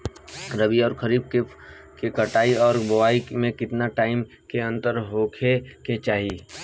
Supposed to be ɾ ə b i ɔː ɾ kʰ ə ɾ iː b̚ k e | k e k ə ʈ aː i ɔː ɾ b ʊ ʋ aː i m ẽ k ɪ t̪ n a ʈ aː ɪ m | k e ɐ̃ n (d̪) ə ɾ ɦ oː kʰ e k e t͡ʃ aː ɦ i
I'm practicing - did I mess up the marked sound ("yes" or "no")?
yes